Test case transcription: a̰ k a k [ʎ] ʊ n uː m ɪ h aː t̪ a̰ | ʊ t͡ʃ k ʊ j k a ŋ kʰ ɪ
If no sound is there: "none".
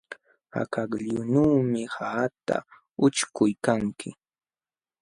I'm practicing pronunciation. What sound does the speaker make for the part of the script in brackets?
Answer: ʎ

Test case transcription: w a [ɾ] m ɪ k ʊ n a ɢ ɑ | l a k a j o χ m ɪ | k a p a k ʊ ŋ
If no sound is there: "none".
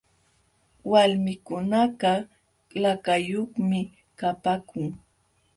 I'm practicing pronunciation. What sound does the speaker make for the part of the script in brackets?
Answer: l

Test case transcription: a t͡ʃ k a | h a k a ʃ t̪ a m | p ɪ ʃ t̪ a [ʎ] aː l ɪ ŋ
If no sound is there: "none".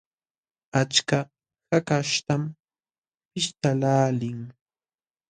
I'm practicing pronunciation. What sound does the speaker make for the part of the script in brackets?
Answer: l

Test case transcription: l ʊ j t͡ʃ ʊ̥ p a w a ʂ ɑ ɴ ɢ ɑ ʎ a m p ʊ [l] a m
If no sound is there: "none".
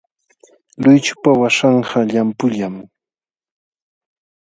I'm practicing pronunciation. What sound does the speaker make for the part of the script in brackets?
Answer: ʎ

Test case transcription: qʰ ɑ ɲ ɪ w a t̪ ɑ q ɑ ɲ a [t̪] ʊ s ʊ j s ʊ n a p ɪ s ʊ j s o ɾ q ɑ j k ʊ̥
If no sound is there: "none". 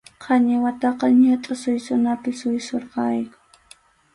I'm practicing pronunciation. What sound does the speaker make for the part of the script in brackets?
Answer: t̪ʼ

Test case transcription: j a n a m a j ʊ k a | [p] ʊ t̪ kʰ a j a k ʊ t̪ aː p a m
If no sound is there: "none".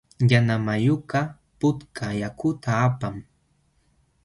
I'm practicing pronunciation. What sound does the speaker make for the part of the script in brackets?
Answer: p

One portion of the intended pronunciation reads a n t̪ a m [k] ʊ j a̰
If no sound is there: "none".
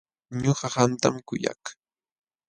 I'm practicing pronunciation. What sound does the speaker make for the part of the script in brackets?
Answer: k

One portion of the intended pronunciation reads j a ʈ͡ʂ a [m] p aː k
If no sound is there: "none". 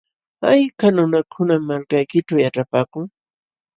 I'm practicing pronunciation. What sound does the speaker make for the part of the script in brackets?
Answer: none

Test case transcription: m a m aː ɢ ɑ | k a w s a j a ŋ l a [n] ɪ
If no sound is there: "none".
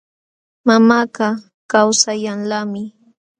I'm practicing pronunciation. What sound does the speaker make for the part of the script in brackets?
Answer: m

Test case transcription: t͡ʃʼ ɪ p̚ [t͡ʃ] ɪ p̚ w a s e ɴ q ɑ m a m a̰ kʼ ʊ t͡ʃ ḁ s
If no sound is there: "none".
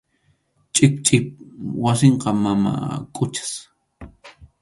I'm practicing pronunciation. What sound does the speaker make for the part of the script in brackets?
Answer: t͡ʃʼ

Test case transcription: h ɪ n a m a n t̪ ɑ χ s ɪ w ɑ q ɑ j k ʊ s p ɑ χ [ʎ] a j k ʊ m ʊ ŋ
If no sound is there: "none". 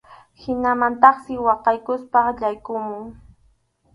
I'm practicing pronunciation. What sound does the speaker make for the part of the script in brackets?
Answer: ʎ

